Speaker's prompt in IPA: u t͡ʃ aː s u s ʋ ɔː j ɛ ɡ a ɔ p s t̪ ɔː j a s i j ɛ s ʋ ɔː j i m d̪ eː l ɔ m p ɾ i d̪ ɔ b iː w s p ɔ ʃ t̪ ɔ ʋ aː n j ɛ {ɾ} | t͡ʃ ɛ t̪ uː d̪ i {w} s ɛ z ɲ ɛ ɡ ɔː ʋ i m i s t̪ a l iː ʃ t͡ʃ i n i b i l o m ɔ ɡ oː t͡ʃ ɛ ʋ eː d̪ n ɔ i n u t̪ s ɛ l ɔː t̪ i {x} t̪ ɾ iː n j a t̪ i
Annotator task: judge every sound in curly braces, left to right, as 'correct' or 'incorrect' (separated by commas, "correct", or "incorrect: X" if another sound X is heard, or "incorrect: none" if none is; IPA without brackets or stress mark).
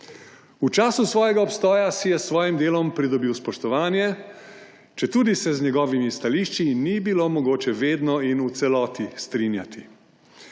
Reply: incorrect: none, incorrect: none, incorrect: s